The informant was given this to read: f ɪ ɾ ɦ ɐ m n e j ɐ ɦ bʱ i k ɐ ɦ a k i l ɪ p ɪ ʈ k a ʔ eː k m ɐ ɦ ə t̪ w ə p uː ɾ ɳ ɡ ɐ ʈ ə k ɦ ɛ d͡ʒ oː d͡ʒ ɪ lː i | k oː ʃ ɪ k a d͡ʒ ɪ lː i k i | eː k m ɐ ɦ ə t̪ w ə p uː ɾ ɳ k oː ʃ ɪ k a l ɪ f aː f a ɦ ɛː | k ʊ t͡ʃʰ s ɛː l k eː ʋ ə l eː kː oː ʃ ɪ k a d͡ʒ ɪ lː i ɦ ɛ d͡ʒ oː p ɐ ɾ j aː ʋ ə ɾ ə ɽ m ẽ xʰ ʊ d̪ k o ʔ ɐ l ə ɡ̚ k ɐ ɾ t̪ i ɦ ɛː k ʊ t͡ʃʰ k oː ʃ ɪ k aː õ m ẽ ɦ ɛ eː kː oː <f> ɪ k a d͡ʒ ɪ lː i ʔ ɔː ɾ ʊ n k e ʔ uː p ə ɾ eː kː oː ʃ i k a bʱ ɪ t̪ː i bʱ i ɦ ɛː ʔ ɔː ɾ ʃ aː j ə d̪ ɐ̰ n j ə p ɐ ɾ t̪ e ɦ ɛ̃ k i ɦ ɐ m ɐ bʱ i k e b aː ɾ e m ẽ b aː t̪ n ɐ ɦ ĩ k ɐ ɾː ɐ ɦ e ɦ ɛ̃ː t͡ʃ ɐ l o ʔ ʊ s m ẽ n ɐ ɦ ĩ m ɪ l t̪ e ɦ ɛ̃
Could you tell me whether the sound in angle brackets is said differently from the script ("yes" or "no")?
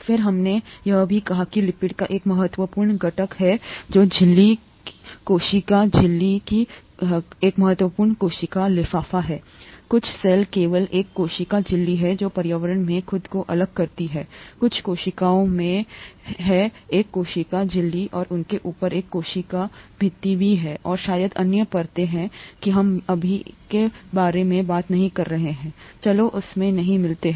yes